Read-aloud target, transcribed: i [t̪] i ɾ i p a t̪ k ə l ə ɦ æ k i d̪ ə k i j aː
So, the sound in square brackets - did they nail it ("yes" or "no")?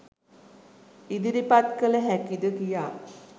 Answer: no